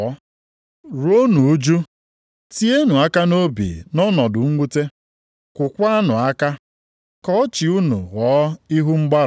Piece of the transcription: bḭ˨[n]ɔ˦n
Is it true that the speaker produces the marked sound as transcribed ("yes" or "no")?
yes